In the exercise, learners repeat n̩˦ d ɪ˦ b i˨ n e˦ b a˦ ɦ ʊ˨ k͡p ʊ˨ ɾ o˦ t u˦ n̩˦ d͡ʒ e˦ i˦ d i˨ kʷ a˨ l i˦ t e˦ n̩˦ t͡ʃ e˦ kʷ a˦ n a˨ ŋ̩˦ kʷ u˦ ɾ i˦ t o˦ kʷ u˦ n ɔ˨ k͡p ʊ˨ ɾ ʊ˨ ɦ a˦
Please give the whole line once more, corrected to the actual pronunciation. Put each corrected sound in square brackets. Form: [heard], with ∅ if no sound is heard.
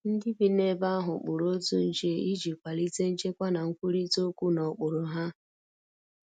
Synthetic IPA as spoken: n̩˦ d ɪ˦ b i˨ n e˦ b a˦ ɦ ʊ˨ k͡p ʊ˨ ɾ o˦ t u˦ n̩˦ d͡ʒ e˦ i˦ [d͡ʒ] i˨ kʷ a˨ l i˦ t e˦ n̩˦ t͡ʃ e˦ kʷ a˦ n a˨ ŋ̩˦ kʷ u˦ ɾ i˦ t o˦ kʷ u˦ n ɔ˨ k͡p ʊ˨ ɾ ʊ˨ ɦ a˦